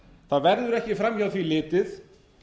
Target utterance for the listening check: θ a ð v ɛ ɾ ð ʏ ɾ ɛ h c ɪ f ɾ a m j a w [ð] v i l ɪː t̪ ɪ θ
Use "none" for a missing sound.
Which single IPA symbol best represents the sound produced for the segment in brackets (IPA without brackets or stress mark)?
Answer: θ